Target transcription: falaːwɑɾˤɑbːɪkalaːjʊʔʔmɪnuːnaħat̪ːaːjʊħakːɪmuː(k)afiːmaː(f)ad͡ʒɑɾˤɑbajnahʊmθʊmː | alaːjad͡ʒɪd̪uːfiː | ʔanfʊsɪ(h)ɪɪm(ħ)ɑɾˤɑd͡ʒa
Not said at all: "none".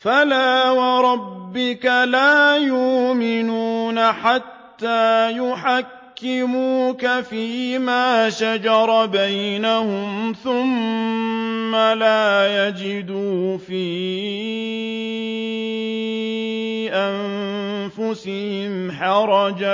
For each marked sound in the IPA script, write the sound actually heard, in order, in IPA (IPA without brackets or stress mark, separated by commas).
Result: k, ʃ, h, ħ